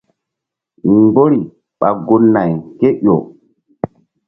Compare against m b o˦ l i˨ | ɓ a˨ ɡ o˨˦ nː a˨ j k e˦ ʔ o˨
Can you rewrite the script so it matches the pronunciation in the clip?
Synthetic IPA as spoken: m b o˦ ɾ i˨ | ɓ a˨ ɡ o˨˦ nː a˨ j k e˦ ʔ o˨